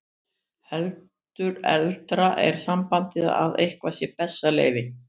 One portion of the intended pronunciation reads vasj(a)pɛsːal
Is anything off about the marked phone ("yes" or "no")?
yes